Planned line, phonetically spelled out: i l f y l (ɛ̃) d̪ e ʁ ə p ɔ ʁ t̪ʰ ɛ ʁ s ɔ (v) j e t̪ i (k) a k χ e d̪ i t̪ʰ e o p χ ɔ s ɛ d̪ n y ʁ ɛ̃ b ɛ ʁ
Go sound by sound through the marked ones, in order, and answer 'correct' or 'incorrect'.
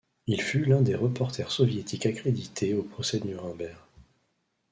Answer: correct, correct, correct

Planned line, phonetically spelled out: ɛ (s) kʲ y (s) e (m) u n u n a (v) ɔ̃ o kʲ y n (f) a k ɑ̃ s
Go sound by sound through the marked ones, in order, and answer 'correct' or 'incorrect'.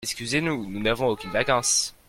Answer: correct, incorrect, incorrect, correct, incorrect

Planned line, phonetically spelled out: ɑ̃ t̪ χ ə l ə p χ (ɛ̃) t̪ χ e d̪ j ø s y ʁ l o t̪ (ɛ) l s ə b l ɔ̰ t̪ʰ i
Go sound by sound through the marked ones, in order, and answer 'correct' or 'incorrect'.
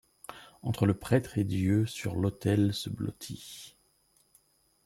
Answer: incorrect, correct

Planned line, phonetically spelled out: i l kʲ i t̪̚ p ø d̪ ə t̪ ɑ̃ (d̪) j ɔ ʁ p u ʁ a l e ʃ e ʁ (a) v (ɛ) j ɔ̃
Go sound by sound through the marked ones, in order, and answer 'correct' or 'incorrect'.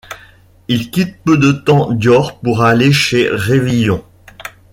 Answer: correct, incorrect, incorrect

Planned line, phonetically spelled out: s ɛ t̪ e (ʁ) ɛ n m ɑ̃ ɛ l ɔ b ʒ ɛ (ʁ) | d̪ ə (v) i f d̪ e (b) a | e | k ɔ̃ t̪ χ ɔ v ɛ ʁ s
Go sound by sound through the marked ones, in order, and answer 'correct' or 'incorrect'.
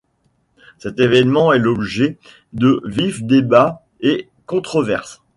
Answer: incorrect, incorrect, correct, correct

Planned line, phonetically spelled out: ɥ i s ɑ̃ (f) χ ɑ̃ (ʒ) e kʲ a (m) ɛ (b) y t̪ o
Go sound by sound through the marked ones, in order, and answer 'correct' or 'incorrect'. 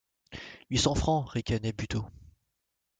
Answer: correct, incorrect, incorrect, correct

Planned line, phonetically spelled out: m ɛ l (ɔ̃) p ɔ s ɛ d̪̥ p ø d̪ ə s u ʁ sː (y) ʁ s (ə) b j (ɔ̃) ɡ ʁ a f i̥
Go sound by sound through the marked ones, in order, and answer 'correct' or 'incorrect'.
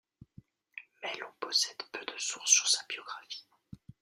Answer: correct, correct, incorrect, incorrect

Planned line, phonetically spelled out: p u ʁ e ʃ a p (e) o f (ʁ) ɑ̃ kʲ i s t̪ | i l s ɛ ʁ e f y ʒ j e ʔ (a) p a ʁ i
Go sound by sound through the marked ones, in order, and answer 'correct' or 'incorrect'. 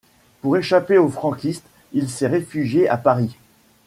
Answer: correct, incorrect, correct

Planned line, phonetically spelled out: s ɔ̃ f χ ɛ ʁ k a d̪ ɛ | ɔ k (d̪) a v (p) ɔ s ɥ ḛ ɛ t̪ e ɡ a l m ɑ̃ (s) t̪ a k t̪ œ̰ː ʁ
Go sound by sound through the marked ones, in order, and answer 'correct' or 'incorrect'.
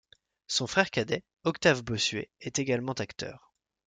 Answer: incorrect, incorrect, incorrect

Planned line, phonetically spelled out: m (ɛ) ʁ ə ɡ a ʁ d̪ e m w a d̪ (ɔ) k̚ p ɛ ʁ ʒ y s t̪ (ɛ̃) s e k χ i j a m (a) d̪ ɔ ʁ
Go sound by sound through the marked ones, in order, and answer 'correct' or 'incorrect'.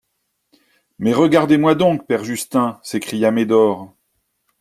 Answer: correct, incorrect, correct, incorrect

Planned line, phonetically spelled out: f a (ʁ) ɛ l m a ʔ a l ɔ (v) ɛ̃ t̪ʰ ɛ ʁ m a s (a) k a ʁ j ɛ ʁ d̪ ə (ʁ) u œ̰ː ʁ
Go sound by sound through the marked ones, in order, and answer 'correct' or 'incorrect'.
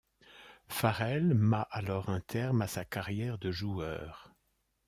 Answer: correct, incorrect, correct, incorrect

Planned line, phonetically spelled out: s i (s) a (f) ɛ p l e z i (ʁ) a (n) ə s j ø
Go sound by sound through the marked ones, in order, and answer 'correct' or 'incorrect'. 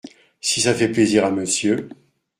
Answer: correct, correct, correct, incorrect

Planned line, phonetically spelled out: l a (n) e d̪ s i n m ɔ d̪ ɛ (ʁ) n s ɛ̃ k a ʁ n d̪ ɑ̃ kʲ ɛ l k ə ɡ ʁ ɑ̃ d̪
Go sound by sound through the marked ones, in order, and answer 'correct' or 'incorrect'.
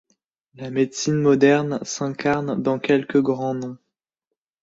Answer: incorrect, correct

